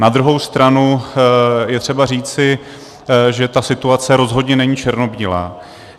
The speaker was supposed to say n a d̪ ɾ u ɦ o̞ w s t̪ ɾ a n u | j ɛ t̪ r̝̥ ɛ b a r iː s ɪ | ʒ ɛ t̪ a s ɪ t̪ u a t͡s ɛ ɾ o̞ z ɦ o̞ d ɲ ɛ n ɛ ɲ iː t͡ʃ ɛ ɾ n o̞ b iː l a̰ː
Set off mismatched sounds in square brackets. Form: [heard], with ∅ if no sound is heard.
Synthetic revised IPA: n a d̪ ɾ u ɦ o̞ w s t̪ ɾ a n u | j ɛ t̪ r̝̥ ɛ b a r iː [t͡s] ɪ | ʒ ɛ t̪ a s ɪ t̪ u a t͡s ɛ ɾ o̞ z ɦ o̞ d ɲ ɛ n ɛ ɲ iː t͡ʃ ɛ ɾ n o̞ b iː l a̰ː